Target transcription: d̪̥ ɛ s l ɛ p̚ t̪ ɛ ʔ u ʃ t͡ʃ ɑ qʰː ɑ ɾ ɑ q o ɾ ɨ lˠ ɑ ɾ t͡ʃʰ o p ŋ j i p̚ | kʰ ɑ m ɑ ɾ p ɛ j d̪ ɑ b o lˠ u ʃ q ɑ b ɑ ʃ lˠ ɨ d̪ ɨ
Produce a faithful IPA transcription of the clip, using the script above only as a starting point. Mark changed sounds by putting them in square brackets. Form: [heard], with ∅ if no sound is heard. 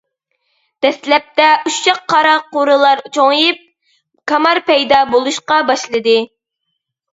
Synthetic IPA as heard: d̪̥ ɛ s l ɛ p̚ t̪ ɛ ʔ u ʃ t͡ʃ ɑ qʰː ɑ ɾ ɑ q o ɾ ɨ lˠ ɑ ɾ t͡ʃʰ o [∅] ŋ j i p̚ | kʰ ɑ m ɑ ɾ p ɛ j d̪ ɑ b o lˠ u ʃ q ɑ b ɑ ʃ lˠ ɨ d̪ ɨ